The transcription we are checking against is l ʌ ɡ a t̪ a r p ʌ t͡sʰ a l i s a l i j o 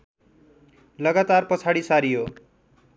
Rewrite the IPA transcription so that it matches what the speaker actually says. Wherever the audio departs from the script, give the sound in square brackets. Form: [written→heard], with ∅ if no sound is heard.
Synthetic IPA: l ʌ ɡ a t̪ a r p ʌ t͡sʰ a [l→ɽ] i s a [l→ɾ] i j o